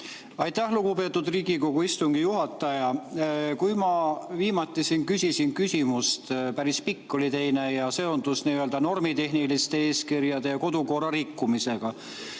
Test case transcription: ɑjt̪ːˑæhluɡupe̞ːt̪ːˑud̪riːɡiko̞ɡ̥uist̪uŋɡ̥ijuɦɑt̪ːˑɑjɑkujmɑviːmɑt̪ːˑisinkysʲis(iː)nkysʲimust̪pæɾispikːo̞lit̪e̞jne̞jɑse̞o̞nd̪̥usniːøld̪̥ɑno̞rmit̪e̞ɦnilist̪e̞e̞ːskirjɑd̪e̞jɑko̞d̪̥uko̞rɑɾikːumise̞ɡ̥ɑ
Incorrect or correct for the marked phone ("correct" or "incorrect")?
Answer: incorrect